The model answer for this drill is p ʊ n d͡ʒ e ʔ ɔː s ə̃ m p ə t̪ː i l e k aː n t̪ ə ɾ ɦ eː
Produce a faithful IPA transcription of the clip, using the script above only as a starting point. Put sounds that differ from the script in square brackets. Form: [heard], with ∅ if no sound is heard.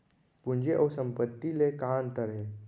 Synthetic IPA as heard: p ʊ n d͡ʒ e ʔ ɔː s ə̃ m p ə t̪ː i l e k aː n t̪ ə ɾ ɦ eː